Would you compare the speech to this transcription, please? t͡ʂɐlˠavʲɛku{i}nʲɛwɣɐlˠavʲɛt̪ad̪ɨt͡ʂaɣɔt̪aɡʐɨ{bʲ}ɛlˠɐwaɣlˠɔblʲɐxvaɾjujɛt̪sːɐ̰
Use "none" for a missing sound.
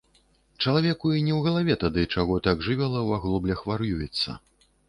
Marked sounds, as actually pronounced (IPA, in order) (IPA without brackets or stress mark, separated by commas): i, vʲ